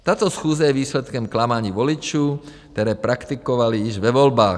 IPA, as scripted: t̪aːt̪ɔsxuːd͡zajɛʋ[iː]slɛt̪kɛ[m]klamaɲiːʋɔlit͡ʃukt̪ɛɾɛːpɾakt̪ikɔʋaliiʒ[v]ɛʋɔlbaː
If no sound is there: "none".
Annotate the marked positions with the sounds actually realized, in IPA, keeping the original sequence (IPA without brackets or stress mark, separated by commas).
iː, m, ʋ